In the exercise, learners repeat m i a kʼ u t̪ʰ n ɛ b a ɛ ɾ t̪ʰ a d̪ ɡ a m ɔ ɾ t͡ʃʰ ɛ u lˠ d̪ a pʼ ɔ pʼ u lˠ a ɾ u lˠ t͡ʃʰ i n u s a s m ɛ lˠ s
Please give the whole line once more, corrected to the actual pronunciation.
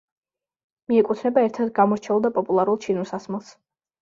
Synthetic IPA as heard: m i ɛ kʼ u t̪ʰ n ɛ b a ɛ ɾ t̪ʰ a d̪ ɡ a m ɔ ɾ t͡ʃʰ ɛ u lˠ d̪ a pʼ ɔ pʼ u lˠ a ɾ u lˠ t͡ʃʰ i n u s a s m ɛ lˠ s